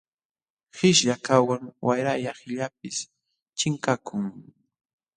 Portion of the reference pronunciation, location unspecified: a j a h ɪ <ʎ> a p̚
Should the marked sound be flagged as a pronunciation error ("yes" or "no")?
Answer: no